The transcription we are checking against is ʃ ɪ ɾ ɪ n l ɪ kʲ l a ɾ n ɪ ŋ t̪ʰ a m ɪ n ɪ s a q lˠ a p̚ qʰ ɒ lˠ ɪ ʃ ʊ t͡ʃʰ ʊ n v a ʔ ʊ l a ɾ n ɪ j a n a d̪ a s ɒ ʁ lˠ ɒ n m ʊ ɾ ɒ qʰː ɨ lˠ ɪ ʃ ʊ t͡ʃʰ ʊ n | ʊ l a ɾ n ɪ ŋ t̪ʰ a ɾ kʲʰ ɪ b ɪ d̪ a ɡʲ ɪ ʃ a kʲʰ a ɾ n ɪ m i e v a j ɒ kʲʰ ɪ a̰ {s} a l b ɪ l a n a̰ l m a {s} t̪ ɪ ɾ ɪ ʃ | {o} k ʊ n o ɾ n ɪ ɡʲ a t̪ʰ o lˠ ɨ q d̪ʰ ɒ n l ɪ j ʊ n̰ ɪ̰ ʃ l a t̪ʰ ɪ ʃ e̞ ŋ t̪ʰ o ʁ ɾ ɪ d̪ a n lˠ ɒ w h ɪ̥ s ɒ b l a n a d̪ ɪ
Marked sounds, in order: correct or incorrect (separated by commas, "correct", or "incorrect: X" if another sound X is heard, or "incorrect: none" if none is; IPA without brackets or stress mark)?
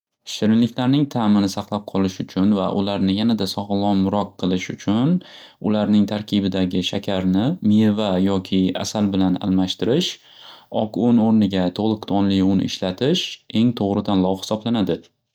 correct, incorrect: ʃ, incorrect: ɒ